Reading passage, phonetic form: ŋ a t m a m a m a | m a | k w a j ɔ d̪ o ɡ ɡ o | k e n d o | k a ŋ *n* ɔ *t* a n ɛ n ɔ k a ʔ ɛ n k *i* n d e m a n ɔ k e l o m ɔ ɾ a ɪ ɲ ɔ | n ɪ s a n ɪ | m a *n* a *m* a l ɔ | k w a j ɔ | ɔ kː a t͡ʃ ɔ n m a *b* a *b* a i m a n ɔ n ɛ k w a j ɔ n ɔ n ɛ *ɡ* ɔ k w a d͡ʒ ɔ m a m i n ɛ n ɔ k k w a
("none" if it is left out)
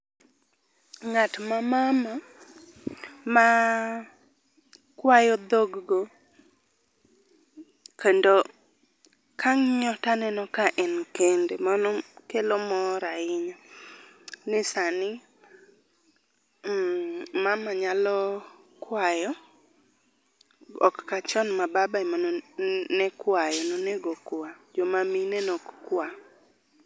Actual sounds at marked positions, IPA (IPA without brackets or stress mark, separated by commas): ɲ, t, e, m, ɲ, b, b, ɡ